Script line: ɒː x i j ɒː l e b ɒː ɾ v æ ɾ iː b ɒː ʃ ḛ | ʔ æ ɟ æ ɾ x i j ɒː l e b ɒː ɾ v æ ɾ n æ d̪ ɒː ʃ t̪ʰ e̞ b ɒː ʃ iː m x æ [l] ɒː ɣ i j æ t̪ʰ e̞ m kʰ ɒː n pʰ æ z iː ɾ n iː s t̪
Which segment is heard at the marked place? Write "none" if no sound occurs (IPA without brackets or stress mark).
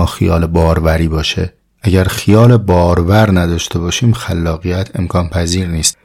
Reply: lː